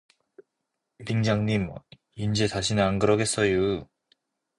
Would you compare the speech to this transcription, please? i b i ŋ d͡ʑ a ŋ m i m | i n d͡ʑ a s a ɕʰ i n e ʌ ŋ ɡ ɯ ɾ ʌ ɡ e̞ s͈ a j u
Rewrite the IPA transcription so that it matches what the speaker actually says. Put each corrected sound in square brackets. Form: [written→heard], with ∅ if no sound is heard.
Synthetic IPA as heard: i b i ŋ d͡ʑ a ŋ [m→ɲ] i m | i n d͡ʑ [a→e] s a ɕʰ i n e [ʌ→a] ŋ ɡ ɯ ɾ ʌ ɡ e̞ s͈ [a→ʌ] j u